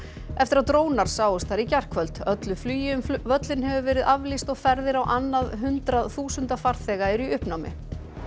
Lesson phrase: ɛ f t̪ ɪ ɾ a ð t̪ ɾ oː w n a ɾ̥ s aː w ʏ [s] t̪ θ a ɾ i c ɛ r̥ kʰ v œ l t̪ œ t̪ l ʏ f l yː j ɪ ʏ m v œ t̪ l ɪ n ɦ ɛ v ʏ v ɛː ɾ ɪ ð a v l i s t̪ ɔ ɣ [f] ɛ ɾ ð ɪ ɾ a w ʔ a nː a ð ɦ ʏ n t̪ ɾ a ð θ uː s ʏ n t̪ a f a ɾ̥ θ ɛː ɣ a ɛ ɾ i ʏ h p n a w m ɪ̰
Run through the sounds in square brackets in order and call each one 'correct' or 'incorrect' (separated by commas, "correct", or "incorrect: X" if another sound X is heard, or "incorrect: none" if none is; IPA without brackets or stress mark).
correct, correct